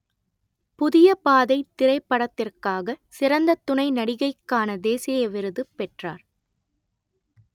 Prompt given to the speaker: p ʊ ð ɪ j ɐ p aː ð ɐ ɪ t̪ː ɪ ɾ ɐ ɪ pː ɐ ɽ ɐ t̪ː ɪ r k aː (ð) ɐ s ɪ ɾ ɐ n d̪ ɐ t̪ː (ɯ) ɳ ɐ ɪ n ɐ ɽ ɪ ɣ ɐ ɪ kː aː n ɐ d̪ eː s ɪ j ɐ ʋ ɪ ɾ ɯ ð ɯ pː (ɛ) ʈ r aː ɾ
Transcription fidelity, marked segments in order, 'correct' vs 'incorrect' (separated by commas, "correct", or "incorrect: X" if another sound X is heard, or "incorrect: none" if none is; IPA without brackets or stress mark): incorrect: ɣ, incorrect: ʊ, correct